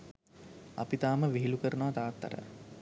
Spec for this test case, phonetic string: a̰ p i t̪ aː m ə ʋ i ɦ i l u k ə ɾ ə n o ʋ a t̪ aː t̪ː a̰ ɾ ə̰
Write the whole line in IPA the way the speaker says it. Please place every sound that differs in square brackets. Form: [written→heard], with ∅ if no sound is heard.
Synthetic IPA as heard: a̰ p i t̪ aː m ə ʋ i ɦ i l u k ə ɾ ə n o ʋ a t̪ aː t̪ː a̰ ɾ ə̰